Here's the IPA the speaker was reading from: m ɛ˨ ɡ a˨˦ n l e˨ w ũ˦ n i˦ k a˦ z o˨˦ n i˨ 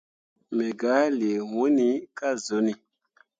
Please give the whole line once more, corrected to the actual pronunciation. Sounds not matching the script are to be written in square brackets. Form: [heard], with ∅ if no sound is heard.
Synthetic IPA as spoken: m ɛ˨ ɡ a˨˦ [∅] l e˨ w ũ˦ n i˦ k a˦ z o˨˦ n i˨